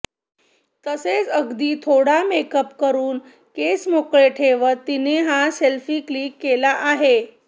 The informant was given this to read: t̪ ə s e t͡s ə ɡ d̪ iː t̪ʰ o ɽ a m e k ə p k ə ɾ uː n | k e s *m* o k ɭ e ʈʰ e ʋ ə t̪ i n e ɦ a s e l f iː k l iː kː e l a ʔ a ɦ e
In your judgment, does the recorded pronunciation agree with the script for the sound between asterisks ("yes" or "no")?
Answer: yes